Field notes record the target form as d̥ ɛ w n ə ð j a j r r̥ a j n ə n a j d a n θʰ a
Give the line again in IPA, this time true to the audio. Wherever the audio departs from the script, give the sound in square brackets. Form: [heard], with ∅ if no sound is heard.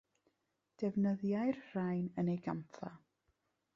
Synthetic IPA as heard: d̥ ɛ [v] n ə ð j a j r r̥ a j n ə n [e] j [ɡ] a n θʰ a